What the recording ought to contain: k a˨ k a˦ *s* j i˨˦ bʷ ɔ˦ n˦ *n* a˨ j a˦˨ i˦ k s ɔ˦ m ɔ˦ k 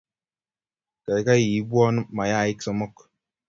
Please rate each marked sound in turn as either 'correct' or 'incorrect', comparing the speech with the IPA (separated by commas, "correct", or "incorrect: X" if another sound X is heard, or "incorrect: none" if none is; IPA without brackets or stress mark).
incorrect: none, incorrect: m